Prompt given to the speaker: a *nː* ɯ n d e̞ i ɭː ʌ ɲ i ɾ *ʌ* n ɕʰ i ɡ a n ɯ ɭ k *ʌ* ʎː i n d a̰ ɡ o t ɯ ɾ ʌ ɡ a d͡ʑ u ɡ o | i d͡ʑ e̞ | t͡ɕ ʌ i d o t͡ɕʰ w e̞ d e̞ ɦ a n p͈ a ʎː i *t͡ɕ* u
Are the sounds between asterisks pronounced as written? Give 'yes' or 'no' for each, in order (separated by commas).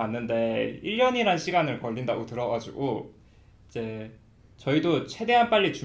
yes, no, yes, yes